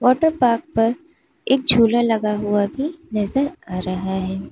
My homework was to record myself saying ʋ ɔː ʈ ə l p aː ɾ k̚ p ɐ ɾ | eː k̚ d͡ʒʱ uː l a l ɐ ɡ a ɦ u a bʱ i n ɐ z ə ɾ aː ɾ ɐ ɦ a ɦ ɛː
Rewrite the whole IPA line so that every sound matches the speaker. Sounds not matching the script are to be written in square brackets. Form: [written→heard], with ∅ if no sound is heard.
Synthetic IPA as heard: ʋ ɔː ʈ ə [l→ɾ] p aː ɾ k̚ p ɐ ɾ | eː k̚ d͡ʒʱ uː l a l ɐ ɡ a ɦ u a bʱ i n ɐ z ə ɾ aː ɾ ɐ ɦ a ɦ ɛː